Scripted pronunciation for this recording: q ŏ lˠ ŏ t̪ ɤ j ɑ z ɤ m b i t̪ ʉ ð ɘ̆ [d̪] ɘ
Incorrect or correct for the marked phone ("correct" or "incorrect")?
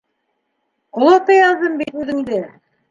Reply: correct